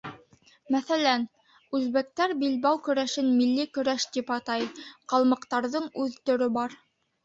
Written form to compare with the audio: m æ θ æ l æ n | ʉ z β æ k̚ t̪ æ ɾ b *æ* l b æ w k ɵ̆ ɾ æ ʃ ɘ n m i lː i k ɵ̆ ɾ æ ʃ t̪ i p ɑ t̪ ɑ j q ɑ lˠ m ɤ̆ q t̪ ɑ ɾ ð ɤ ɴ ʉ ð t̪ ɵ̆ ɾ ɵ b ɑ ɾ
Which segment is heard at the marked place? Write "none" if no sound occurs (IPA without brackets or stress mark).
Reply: i